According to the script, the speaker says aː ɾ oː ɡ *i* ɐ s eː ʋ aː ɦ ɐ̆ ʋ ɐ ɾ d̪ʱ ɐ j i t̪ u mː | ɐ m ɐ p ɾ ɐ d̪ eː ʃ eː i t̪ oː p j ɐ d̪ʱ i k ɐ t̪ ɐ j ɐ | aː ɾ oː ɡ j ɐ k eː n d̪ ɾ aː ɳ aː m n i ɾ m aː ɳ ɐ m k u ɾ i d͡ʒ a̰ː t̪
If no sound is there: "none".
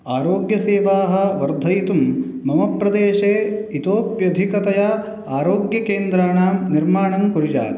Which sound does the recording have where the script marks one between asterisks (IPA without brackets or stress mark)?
j